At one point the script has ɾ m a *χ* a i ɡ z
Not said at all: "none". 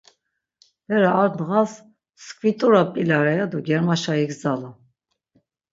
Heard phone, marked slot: ʃ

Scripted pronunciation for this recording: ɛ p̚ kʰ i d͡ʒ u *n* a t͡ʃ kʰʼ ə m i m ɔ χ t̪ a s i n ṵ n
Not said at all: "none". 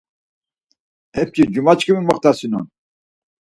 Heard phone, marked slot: m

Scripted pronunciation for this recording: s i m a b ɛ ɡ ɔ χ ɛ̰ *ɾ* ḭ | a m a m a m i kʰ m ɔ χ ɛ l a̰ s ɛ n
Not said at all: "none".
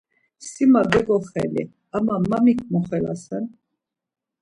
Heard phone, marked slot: l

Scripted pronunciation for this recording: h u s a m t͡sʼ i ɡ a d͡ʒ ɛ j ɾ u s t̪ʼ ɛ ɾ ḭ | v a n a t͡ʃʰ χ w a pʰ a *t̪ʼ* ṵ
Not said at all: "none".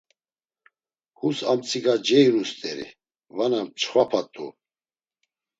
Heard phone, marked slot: t̪ʼ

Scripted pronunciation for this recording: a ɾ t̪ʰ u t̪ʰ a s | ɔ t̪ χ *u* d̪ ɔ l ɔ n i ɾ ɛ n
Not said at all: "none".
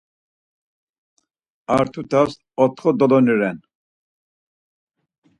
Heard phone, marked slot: ɔ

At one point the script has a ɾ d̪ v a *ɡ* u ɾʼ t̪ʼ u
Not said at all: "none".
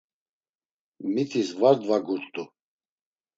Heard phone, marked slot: ɡ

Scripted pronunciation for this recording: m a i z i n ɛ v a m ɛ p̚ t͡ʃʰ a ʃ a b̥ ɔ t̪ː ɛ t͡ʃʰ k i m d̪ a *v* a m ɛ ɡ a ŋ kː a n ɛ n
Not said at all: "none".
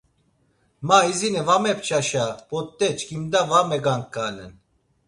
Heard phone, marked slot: v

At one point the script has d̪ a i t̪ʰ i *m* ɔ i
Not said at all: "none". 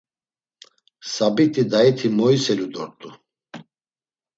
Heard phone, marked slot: m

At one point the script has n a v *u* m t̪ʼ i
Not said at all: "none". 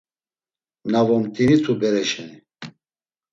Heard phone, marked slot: ɔ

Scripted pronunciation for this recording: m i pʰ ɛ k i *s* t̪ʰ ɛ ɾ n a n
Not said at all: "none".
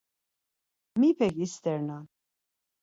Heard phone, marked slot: s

